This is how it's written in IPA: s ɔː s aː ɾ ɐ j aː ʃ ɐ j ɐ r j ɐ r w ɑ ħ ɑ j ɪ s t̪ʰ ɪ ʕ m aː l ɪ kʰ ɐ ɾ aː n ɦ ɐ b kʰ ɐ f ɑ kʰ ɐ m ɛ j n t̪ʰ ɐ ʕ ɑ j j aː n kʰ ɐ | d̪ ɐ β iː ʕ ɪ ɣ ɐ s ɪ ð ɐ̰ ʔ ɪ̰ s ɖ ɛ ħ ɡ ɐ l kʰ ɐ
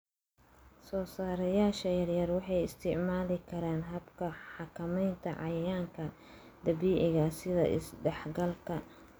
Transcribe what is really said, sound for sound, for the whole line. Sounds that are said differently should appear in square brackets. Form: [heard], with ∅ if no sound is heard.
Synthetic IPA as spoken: s ɔː s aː ɾ ɐ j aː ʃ ɐ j ɐ r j ɐ r w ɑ ħ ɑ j ɪ s t̪ʰ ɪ ʕ m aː l ɪ kʰ ɐ ɾ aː n ɦ ɐ b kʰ ɐ [ħ] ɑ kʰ ɐ m ɛ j n t̪ʰ ɐ ʕ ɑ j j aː [ŋ] kʰ ɐ | d̪ ɐ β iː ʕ ɪ ɣ ɐ s ɪ ð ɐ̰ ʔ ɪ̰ s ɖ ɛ ħ ɡ ɐ l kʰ ɐ